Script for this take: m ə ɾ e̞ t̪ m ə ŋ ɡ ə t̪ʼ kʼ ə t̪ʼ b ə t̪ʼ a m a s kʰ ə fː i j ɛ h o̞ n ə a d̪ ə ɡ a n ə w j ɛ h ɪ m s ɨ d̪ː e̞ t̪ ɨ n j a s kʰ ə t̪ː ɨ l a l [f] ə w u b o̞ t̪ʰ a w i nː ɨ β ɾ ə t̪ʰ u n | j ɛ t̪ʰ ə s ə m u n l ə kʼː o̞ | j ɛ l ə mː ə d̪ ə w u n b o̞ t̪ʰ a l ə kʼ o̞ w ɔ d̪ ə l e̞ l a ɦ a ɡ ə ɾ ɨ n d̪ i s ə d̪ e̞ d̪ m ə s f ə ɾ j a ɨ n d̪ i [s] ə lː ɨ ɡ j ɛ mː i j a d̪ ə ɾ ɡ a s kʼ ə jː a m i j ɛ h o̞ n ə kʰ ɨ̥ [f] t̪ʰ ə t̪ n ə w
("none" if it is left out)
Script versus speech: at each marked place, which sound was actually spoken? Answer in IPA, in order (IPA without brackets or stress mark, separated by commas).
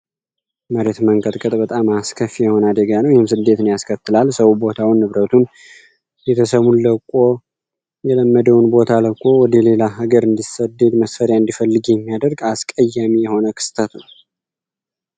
s, f, s